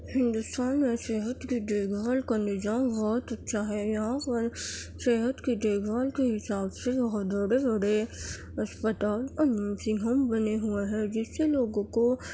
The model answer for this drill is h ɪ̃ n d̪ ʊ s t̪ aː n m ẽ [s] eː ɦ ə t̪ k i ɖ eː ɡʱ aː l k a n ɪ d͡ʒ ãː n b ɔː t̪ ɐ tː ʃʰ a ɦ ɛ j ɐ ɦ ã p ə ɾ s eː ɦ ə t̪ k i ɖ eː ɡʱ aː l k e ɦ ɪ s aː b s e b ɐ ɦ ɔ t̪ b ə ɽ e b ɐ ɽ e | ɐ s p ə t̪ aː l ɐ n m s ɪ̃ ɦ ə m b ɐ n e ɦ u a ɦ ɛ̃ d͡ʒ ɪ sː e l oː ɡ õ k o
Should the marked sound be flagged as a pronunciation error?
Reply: no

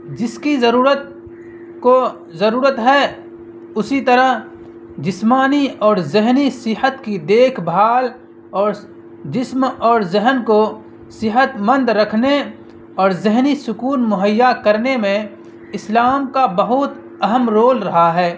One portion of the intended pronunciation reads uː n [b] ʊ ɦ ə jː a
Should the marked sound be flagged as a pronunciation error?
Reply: yes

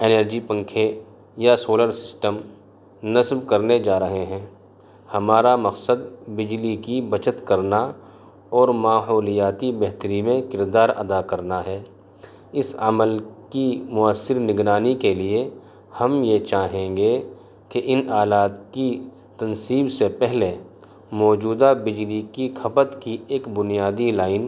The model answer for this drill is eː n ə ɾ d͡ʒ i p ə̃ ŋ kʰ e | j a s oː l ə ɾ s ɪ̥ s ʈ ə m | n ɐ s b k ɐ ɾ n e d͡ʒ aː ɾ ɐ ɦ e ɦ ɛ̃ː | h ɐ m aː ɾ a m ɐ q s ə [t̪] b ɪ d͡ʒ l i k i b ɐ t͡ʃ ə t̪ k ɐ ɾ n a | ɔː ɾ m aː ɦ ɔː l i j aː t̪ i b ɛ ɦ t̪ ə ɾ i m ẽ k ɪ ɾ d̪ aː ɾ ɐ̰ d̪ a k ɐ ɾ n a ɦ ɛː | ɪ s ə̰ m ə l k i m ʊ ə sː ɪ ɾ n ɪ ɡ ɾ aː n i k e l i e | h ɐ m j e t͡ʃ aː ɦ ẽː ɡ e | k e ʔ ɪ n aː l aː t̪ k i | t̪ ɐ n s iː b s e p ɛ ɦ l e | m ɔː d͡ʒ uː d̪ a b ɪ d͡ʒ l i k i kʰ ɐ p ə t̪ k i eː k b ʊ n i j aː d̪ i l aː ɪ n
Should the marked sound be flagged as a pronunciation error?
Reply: yes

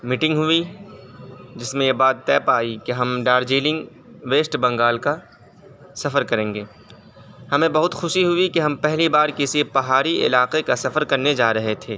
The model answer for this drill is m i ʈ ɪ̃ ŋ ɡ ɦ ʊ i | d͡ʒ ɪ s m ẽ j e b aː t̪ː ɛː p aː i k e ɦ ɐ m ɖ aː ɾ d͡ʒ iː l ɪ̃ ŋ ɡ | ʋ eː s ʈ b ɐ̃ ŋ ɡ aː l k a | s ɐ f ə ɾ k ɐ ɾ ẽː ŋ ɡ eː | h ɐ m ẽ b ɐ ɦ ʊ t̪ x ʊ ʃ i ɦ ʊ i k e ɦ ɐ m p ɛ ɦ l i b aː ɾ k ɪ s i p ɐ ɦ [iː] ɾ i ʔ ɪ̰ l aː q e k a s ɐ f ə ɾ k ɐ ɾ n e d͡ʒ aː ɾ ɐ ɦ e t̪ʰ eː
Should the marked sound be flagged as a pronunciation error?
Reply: yes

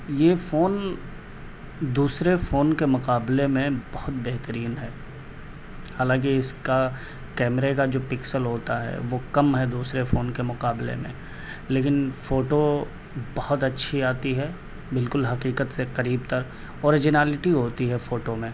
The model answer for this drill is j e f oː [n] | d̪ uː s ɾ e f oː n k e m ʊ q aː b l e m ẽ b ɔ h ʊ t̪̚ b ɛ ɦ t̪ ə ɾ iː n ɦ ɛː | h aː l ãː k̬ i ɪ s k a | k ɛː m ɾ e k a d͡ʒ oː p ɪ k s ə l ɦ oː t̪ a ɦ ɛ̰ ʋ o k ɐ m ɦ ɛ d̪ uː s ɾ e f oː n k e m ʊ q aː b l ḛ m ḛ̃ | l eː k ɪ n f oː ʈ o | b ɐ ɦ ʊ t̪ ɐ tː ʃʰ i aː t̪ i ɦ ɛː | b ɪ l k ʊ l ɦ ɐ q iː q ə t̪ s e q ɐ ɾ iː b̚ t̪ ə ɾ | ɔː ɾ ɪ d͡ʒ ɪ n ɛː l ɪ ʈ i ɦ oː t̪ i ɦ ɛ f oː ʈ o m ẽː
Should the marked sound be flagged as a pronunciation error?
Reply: no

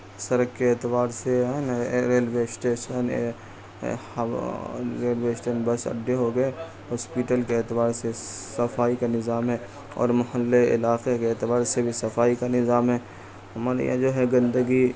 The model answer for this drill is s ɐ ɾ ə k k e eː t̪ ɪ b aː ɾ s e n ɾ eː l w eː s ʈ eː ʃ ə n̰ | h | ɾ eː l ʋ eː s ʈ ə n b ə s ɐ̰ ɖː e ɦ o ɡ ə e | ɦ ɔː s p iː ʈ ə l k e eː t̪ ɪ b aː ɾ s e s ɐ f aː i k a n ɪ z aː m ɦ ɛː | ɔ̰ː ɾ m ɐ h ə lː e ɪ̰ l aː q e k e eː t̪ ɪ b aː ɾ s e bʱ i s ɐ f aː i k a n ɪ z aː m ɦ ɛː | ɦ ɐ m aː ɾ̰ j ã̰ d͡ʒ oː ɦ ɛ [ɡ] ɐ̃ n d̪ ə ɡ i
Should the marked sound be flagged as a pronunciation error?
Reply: no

